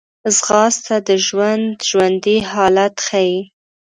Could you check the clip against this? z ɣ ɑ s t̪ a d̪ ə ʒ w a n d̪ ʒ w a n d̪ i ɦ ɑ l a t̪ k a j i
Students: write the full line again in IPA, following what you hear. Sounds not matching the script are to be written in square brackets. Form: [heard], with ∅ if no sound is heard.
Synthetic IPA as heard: z ɣ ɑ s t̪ a d̪ ə ʒ w a n d̪ ʒ w a n d̪ i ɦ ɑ l a t̪ [x] a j i

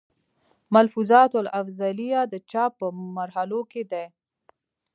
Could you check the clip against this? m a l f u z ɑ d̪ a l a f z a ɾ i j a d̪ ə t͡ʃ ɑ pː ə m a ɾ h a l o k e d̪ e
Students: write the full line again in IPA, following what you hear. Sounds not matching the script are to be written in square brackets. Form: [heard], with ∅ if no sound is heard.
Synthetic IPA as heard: m a l f u z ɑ [t̪] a l a f z a [l] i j a d̪ ə t͡ʃ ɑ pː ə m a ɾ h a l o k e d̪ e

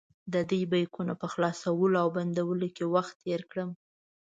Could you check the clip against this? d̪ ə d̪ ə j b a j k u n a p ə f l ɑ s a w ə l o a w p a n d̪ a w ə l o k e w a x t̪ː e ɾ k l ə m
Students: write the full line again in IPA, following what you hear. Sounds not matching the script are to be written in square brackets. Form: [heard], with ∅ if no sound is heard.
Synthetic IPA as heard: d̪ ə d̪ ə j b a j k u n a p ə [x] l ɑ s a w ə l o a w [b] a n d̪ a w ə l o k e w a x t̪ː e ɾ k [ɽ] ə m

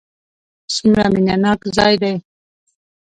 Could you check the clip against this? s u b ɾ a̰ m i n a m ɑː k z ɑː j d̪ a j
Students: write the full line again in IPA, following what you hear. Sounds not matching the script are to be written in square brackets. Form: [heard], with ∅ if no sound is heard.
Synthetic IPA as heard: s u [m] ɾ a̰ m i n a [n] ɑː k z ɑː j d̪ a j

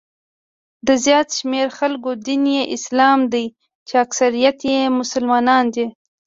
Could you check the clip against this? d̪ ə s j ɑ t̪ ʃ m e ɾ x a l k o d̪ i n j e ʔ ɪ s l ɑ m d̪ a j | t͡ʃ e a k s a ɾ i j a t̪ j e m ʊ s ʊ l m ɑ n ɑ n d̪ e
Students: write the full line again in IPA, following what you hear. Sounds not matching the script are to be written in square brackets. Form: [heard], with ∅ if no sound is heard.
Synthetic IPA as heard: d̪ ə [z] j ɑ t̪ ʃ m e ɾ x a l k o d̪ i n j e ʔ ɪ s l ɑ m d̪ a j | t͡ʃ e a k s a ɾ i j a t̪ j e m ʊ s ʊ l m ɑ n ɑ n d̪ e

